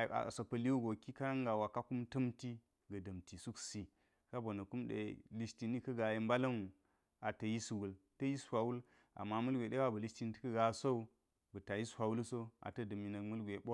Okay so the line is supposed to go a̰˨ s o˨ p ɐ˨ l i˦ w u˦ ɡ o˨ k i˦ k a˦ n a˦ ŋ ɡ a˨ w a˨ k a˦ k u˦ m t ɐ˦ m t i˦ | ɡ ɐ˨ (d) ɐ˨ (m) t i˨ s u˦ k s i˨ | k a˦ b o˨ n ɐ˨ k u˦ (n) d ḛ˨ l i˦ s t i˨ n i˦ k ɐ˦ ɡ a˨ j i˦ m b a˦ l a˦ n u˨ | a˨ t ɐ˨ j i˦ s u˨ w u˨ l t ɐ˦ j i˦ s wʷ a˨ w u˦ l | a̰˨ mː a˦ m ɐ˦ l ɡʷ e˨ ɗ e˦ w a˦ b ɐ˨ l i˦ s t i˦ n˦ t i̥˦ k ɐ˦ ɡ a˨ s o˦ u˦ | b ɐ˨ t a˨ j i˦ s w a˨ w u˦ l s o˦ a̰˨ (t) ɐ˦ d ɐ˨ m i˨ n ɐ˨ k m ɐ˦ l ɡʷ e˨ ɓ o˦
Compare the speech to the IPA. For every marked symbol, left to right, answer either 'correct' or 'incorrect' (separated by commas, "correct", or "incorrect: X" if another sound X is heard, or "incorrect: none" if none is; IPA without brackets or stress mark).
correct, correct, incorrect: m, correct